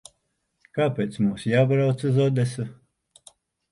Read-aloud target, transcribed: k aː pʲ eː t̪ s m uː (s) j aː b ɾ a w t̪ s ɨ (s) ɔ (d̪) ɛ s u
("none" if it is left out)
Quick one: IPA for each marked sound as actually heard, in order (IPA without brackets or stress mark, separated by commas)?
s, z, d̪